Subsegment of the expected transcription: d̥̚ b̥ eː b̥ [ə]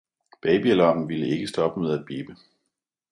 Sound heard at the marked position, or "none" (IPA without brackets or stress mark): ə